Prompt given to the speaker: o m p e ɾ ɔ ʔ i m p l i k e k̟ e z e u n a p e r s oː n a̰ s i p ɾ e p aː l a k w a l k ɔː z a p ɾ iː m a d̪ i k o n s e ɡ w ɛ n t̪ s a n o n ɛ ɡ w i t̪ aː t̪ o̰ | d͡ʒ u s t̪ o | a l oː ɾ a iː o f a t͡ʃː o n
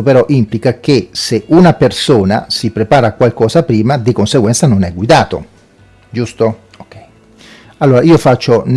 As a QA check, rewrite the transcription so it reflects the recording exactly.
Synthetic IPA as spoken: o p e ɾ ɔ ʔ i m p l i k a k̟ e s e u n a p e r s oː n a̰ s i p ɾ e p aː ɾ a k w a l k ɔː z a p ɾ iː m a d̪ i k o n s e ɡ w ɛ n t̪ s a n o n ɛ ɡ w i d̪ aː t̪ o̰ | d͡ʒ u s t̪ o | a lː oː ɾ a iː o f a t͡ʃː o n

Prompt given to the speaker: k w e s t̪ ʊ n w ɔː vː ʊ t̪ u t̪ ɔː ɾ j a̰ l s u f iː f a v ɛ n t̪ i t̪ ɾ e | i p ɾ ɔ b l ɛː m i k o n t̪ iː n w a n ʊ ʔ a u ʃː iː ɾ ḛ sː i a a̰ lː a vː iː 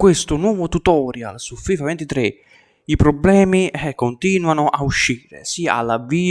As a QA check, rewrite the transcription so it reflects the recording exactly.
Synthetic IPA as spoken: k w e s t̪ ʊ n w ɔː v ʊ t̪ u t̪ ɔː ɾ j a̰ l s u f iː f a v ɛ n t̪ i t̪ ɾ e | i p ɾ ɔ b l ɛː m i k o n t̪ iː n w a n ʊ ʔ a u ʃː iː ɾ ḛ s i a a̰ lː a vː iː

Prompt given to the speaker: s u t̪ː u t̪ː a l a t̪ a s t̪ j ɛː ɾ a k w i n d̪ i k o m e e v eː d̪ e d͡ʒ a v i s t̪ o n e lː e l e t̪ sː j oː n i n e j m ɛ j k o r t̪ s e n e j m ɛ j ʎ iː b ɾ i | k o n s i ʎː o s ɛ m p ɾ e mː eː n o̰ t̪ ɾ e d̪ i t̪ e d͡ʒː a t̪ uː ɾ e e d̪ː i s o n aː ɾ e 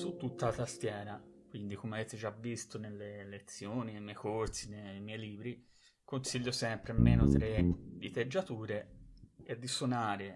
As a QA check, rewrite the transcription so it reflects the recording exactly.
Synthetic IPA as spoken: s u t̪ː u t̪ː a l a t̪ a s t̪ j ɛː ɾ a k w i n d̪ i k o m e a v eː t̪ e d͡ʒ a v i s t̪ o n e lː e l e t̪ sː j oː n i n e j m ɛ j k o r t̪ s i n e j m ɛ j l iː b ɾ i | k o n s i ʎː o s ɛ m p ɾ e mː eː n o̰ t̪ ɾ e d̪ i t̪ e d͡ʒː a t̪ uː ɾ e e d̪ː i s o n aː ɾ e

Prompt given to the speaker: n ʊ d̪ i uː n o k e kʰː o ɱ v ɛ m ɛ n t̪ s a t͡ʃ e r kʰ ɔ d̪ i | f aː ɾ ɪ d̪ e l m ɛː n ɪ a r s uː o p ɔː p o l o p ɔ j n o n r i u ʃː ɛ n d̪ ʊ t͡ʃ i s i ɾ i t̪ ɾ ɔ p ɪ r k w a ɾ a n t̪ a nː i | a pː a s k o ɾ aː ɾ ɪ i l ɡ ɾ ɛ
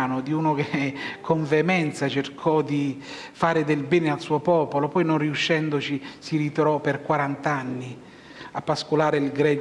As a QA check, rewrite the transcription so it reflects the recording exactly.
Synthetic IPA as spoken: n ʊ d̪ i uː n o k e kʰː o ɱ v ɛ m ɛ n t̪ s a t͡ʃ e r kʰ ɔ d̪ i | f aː ɾ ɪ d̪ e l b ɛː n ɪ a l s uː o p ɔː p o l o p ɔ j n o n r i u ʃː ɛ n d̪ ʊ t͡ʃ i s i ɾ i t̪ ɾ ɔ p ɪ r k w a ɾ a n t̪ a nː i | a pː a s k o l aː ɾ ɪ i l ɡ ɾ ɛ

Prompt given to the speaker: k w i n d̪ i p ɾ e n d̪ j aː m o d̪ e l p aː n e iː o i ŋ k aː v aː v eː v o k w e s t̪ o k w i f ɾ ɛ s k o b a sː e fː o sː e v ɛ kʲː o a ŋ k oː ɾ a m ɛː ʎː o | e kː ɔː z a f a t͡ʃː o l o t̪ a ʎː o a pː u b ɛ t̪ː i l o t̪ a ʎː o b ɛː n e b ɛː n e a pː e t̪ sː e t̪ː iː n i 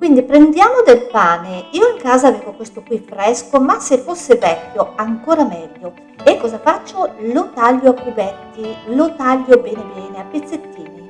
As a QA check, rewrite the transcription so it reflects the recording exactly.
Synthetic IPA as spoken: k w i n d̪ i p ɾ e n d̪ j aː m o d̪ e l p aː n e iː o i ŋ k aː z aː v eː v o k w e s t̪ o k w i f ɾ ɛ s k o m a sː e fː o sː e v ɛ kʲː o a ŋ k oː ɾ a m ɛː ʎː o | e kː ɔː z a f a t͡ʃː o l o t̪ a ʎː o a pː u b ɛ t̪ː i l o t̪ a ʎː o b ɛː n e b ɛː n e a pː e t̪ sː e t̪ː iː n i

